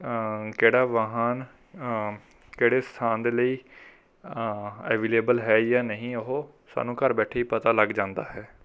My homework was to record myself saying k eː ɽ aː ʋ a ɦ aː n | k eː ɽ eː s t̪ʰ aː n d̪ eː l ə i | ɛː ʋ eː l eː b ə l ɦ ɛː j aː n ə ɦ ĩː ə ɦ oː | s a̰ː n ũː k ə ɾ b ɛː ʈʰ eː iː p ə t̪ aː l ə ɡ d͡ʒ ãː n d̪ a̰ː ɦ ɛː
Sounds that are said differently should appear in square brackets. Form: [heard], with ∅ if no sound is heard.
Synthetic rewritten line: k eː ɽ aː ʋ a ɦ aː n | k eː ɽ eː s t̪ʰ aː n d̪ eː l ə [iː] | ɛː ʋ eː l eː b ə l ɦ ɛː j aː n ə ɦ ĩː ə ɦ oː | s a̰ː n ũː k ə ɾ b ɛː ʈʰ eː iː p ə t̪ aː l ə ɡ d͡ʒ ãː n d̪ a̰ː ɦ ɛː